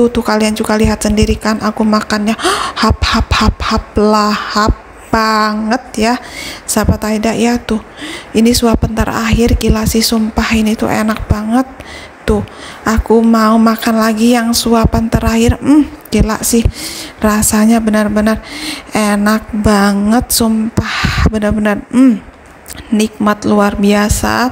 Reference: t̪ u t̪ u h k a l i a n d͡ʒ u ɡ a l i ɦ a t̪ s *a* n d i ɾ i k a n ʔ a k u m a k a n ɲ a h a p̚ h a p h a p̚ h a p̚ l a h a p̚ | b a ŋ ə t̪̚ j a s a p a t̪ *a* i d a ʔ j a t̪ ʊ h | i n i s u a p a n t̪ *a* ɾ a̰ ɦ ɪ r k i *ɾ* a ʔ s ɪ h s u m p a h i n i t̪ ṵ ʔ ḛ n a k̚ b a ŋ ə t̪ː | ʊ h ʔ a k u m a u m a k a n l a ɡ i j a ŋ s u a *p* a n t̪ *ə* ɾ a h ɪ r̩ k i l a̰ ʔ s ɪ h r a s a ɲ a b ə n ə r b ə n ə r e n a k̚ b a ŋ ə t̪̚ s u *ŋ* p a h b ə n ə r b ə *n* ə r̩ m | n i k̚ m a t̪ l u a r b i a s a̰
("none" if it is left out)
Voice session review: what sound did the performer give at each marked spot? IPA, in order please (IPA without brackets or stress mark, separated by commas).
ə, a, ə, l, p, ə, m, n